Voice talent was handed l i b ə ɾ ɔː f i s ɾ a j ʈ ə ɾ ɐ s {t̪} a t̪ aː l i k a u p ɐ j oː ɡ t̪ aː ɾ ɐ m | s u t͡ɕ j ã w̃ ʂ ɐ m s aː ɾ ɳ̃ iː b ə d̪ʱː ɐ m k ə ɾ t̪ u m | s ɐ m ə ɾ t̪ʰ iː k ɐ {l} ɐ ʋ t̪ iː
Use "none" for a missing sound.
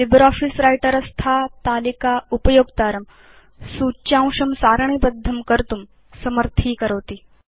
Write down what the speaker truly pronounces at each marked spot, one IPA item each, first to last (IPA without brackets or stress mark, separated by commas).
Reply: t̪ʰ, ɾ